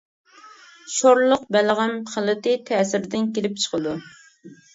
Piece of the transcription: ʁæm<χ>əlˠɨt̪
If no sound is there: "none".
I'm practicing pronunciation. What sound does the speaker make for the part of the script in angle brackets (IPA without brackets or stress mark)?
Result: χ